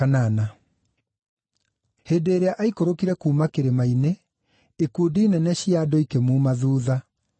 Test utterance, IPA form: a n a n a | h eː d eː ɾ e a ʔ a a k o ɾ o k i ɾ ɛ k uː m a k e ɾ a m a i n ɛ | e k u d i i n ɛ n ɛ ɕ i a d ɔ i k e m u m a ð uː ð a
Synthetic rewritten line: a n a n a | h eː d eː ɾ e a ʔ a i k o ɾ o k i ɾ ɛ k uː m a k e ɾ e m a i n e | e k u d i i n ɛ n ɛ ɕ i a d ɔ i k e m u m a ð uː ð a

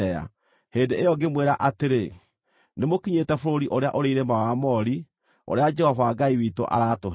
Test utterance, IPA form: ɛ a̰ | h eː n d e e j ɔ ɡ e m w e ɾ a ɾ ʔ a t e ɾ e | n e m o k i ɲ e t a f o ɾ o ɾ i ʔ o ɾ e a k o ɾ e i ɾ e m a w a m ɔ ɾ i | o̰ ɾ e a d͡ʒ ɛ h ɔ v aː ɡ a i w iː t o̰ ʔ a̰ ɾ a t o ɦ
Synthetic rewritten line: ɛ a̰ | h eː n d e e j ɔ ɡ e m w e ɾ a ʔ a t e ɾ e | n e m o k i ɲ e t ɛ f o ɾ o ɾ i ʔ o ɾ e a ʔ o ɾ e i ɾ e m a w a m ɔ ɾ i | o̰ ɾ e a d͡ʒ ɛ h ɔ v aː ɡ a i w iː t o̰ ʔ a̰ ɾ a t o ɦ

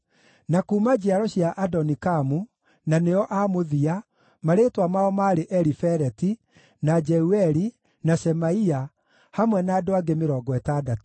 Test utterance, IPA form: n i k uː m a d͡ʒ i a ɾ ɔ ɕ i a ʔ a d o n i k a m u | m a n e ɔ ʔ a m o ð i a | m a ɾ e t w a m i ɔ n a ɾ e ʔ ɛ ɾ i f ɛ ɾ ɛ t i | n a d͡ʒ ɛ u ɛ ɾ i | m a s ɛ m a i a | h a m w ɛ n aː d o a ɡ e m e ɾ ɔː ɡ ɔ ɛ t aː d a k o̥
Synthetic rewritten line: n a k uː m a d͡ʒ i a ɾ ɔ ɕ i a ʔ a d ɔ n i k a m u | n a n e ɔ ʔ a m o ð i a | m a ɾ e t w a m a ɔ m a ɾ e ʔ ɛ ɾ i f ɛ ɾ ɛ t i | n a d͡ʒ ɛ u ɛ ɾ i | n a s ɛ m a i a | h a m w ɛ n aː d o a ɡ e m e ɾ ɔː ɡ ɔ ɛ t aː d a t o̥

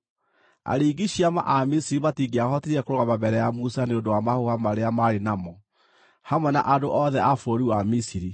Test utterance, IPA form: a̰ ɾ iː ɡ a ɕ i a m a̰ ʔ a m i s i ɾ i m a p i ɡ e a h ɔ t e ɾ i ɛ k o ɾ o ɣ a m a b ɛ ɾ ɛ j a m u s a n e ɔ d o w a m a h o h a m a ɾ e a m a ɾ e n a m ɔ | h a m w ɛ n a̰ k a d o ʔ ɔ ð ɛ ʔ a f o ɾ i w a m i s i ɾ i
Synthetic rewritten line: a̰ ɾ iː ɡ i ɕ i a m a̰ ʔ a m i s i ɾ i m a t i ɡ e a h ɔ t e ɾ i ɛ k o ɾ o ɣ a m a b ɛ ɾ ɛ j a m u s a n e o d o w a m a h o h a m a ɾ e a m a ɾ e n a m ɔ | h a m w ɛ n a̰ ʔ a d o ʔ ɔ ð ɛ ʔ a f o ɾ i w a m i s i ɾ i

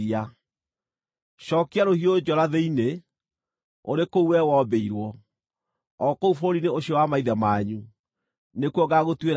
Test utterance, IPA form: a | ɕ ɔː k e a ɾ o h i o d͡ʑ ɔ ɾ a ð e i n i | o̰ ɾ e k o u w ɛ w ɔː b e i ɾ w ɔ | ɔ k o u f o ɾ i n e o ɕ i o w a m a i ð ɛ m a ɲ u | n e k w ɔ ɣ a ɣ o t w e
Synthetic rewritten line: a | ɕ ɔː k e a ɾ o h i o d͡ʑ ɔ ɾ a ð e i n e | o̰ ɾ e k o u w ɛ w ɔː b e i ɾ w ɔ | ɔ k o u f o ɾ i n e o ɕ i ɔ w a m a i ð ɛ m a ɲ u | n e k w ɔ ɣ a ɣ o t w e

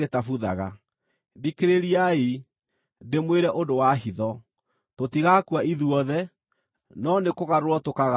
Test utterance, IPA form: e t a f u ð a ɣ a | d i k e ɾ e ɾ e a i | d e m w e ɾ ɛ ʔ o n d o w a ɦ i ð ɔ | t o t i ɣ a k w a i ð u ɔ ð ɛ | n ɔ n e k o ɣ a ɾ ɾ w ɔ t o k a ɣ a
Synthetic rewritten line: e t a f u ð a ɣ a | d i k e ɾ e ɾ i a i | d e m w e ɾ ɛ ʔ o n d o w a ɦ i ð ɔ | t o t i ɣ a k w a i ð u ɔ ð ɛ | n ɔ n e k o ɣ a ɾ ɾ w ɔ t o k a ɣ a

